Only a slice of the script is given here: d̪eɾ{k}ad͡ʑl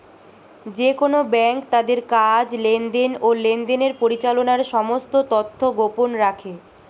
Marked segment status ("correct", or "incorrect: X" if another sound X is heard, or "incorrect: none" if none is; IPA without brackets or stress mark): correct